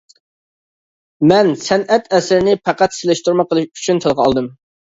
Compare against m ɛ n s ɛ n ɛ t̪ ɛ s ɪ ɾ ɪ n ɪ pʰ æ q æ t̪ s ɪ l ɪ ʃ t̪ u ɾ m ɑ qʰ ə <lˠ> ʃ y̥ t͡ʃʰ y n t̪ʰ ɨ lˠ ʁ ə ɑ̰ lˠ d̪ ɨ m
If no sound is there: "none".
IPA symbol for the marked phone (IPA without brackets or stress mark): lˠ